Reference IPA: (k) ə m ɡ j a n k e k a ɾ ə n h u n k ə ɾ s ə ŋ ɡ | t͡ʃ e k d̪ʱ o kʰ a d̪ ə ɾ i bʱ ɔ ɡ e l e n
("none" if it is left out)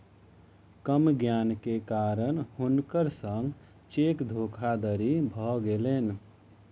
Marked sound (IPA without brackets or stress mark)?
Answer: k